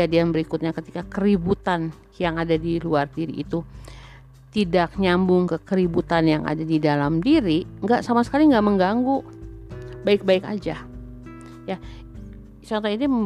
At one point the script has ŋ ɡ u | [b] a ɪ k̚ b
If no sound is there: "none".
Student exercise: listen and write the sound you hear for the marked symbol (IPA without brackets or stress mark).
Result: b